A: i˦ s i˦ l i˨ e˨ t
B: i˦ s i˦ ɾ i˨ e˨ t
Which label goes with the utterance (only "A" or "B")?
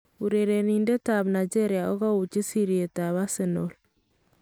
B